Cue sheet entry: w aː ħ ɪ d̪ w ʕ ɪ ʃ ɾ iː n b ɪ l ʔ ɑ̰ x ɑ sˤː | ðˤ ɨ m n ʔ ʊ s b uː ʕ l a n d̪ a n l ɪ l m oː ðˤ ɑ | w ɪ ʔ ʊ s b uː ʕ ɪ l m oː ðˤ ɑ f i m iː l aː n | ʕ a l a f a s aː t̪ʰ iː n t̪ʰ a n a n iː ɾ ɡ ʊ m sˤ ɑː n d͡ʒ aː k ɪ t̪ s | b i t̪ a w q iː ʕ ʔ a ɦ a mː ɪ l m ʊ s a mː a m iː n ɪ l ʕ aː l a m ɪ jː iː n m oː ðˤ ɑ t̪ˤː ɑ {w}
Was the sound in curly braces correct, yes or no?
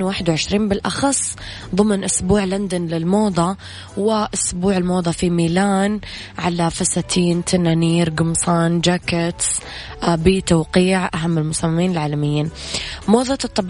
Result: no